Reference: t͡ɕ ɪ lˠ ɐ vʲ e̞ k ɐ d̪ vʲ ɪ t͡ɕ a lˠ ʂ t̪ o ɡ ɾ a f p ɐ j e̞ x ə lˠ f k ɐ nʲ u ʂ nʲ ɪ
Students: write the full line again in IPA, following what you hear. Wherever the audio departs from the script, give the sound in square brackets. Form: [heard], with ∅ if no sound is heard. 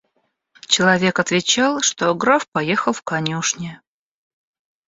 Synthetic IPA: t͡ɕ ɪ lˠ ɐ vʲ e̞ k ɐ [t̪] vʲ ɪ t͡ɕ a lˠ ʂ t̪ o ɡ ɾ a f p ɐ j e̞ x ə lˠ f k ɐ nʲ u ʂ nʲ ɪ